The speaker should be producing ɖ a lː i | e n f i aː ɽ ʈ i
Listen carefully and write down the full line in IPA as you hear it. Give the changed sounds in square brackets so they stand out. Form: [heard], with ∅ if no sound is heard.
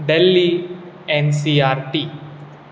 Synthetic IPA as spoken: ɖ [e] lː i | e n [s] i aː [ɾ] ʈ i